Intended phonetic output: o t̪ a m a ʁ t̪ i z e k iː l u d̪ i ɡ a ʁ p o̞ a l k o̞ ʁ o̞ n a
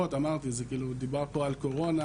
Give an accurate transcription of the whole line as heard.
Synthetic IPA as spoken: o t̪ a m a ʁ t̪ i z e k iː l u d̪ i b a ʁ p o̞ a l k o̞ ʁ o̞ n a